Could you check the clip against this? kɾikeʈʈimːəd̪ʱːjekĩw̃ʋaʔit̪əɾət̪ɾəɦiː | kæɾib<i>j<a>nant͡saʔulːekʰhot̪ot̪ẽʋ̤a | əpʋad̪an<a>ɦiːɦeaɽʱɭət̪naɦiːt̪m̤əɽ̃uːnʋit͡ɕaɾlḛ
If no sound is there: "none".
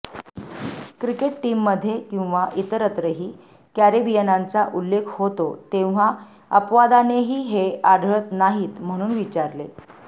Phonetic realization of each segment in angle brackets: i, ə, e

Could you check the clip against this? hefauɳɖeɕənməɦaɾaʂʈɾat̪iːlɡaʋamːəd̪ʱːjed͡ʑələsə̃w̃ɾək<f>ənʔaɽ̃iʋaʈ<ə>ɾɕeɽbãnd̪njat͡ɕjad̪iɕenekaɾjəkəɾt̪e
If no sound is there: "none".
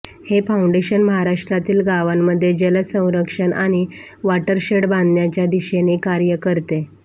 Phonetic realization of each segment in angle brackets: ʂ, ə

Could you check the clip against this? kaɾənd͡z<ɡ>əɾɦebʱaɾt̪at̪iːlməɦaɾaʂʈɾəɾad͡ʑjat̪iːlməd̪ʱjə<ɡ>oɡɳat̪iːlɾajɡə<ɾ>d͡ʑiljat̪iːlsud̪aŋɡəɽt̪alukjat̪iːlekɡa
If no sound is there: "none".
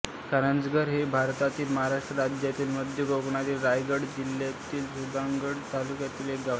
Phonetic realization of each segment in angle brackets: ɡ, ɡ, ɽ

